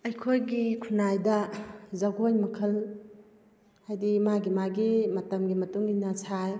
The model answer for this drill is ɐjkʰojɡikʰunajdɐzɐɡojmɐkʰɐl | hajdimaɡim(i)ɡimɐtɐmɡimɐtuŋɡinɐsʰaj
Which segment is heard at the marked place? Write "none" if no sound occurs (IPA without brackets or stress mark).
a